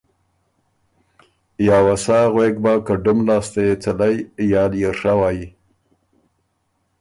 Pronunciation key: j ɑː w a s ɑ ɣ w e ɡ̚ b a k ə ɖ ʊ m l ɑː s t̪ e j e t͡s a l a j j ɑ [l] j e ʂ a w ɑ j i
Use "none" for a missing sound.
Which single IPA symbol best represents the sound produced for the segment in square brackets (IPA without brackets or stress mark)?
l